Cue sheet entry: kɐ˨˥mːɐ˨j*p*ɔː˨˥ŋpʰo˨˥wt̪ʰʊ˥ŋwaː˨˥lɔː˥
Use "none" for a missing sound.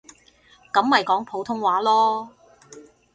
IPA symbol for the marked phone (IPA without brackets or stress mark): k